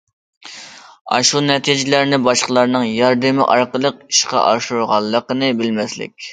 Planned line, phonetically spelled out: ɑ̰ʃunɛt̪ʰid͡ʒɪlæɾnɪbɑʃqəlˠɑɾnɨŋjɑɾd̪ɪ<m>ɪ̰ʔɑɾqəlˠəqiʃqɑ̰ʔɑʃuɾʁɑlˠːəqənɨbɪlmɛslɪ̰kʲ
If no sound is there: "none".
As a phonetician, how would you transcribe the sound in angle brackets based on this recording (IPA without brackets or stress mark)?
m